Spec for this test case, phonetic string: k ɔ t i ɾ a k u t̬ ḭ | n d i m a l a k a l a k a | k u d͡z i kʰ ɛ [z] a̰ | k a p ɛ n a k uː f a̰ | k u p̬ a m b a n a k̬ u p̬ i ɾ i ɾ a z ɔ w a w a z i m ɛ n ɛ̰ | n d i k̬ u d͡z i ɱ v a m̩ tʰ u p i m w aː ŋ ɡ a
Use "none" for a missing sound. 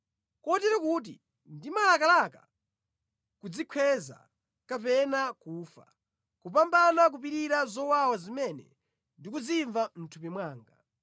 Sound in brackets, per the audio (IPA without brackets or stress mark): z